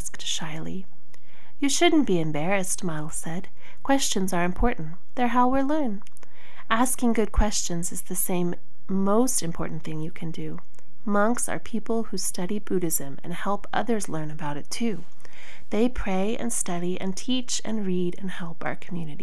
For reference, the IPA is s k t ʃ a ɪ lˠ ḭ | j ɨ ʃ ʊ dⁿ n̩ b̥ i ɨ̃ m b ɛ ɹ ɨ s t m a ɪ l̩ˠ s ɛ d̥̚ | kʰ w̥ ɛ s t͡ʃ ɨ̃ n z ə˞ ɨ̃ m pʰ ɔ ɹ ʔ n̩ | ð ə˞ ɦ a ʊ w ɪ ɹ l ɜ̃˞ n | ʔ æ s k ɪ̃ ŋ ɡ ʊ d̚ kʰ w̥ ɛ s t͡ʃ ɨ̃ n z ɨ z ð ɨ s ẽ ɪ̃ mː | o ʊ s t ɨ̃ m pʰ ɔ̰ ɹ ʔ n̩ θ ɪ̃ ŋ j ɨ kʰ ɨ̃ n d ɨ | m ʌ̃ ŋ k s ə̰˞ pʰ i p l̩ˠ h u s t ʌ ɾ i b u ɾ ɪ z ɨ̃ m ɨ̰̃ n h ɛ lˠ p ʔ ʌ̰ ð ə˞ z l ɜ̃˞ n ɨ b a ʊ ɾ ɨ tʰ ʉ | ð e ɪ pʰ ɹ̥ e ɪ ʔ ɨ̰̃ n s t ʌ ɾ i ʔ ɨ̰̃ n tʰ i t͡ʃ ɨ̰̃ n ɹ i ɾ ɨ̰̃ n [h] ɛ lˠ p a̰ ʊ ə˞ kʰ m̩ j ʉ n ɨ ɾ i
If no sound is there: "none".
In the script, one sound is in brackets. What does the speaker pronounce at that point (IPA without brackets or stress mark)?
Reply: h